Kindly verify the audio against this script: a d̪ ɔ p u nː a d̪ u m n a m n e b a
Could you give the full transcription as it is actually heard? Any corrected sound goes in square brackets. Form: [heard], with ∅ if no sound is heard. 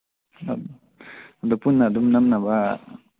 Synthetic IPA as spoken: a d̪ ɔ p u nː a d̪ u m n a m n [a] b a